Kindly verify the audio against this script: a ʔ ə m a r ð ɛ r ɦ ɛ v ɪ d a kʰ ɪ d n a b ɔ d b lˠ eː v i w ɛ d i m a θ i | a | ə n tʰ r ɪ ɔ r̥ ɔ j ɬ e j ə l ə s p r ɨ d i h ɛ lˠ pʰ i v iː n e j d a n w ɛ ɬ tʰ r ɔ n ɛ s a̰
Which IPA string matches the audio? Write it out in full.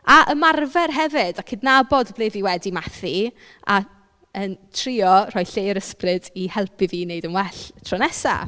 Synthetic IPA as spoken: a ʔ ə m a r v ɛ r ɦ ɛ v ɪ d a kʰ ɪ d n a b ɔ d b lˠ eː v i w ɛ d i m a θ i | a | ə n tʰ r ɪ ɔ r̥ ɔ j ɬ e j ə ɾ ə s p r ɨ d i h ɛ lˠ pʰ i v iː n e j d ə n w ɛ ɬ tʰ r ɔ n ɛ s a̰

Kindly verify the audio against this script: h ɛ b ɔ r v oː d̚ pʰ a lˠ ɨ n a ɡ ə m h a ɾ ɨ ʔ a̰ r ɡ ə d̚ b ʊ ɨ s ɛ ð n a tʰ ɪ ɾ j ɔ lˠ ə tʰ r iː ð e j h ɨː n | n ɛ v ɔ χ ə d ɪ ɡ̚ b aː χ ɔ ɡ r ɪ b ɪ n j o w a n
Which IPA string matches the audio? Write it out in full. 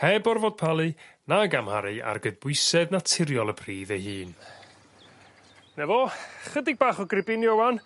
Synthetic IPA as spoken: h ɛ b ɔ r v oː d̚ pʰ a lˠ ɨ n a ɡ a m h a ɾ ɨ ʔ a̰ r ɡ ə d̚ b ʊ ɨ s ɛ ð n a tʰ ɪ ɾ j ɔ lˠ ə pʰ r iː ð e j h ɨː n | n ɛ v ɔ χ ə d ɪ ɡ̚ b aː χ ɔ ɡ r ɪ b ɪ n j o w a n

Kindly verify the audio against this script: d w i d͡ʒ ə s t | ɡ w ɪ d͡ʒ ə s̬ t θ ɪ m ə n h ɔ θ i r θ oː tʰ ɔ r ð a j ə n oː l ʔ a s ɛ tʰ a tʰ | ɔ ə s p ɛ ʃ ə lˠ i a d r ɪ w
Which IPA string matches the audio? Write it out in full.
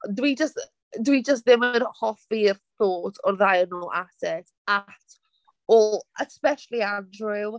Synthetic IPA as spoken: d w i d͡ʒ ə s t | d w i d͡ʒ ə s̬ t ð ɪ m ə n h ɔ f i r θ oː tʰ ɔ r ð a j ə n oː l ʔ a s ɛ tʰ a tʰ | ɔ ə s p ɛ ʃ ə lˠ i a d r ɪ w

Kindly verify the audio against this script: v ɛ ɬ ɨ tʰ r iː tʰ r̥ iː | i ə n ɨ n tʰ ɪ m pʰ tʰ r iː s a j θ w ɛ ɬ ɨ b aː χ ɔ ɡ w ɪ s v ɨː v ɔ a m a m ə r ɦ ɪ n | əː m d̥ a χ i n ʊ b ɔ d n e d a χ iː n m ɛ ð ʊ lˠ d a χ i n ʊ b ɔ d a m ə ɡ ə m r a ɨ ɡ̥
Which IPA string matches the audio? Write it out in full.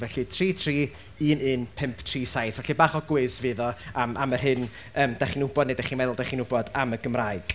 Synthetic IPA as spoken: v ɛ ɬ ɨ tʰ r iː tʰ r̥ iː | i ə n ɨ n pʰ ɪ m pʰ tʰ r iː s a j θ v ɛ ɬ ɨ b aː χ ɔ ɡ w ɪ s v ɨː ð ɔ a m a m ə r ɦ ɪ n | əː m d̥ a χ i n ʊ b ɔ d n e d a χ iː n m ɛ ð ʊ lˠ d a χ i n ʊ b ɔ d a m ə ɡ ə m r a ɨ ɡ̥

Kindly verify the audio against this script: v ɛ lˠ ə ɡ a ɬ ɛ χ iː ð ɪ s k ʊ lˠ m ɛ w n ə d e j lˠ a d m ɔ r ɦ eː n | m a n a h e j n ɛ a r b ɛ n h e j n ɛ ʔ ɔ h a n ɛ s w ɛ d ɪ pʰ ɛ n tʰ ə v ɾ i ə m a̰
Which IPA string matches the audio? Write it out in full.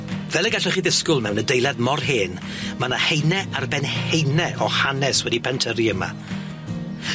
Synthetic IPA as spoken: v ɛ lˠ ə ɡ a ɬ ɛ χ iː ð ɪ s k ʊ lˠ m ɛ w n ə d e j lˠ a d m ɔ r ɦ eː n | m a n a h e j n ɛ a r b ɛ n h e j n ɛ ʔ ɔ h a n ɛ s w ɛ d i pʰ ɛ n tʰ ə ɾ i ə m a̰

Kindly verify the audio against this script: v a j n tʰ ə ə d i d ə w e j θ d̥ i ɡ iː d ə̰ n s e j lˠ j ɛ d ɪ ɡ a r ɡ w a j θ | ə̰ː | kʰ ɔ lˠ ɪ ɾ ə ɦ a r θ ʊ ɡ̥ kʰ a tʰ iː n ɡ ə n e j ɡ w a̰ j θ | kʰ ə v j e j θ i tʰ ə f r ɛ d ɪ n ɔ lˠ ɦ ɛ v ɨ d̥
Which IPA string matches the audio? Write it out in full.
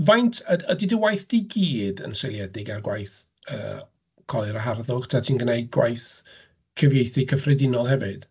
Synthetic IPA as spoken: v a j n tʰ ə ə d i d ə w a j θ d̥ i ɡ iː d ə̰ n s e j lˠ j ɛ d ɪ ɡ a r ɡ w a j θ | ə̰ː | kʰ ɔ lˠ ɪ ɾ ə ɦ a r ð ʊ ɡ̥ tʰ a tʰ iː n ɡ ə n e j ɡ w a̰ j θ | kʰ ə v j e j θ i kʰ ə f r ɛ d ɪ n ɔ lˠ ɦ ɛ v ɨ d̥

